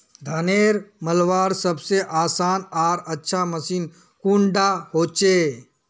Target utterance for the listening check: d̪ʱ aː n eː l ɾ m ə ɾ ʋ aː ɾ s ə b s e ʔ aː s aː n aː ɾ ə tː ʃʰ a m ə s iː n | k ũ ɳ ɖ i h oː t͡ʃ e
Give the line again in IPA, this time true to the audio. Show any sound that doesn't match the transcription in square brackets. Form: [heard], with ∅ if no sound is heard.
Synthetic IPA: d̪ʱ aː n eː [∅] ɾ m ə [l] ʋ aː ɾ s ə b s e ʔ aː s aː n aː ɾ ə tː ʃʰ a m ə s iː n | k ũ ɳ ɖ [a] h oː t͡ʃ e